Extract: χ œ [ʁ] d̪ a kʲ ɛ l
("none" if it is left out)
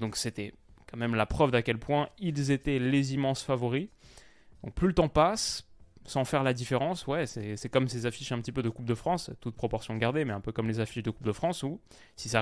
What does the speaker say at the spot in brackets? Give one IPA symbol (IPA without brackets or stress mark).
v